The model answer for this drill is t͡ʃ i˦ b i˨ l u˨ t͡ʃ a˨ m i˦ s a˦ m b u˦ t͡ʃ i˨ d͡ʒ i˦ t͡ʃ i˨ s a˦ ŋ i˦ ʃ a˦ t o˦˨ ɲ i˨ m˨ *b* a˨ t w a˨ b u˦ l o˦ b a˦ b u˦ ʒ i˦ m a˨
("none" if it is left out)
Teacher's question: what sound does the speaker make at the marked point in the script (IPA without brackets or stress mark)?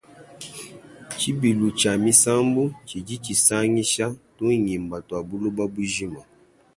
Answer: b